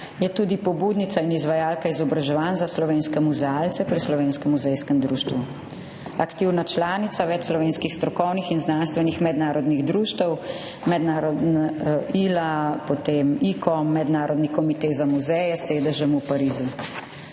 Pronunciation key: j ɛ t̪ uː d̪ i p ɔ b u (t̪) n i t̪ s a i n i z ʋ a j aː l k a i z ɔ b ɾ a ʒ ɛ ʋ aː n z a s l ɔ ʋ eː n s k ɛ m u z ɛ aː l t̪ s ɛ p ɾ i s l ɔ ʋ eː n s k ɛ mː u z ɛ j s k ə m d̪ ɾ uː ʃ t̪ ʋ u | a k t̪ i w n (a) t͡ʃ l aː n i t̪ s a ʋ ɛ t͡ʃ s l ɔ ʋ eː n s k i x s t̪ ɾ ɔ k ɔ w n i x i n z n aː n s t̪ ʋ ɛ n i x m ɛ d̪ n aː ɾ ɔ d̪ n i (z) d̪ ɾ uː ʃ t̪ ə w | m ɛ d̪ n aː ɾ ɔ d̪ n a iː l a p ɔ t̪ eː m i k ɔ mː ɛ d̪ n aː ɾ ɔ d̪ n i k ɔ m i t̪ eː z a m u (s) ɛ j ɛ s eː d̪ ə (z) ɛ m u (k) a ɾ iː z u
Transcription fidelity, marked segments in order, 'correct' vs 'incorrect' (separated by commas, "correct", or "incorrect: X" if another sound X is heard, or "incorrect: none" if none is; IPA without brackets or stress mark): incorrect: d̪, correct, incorrect: ɣ, incorrect: z, incorrect: ʒ, incorrect: p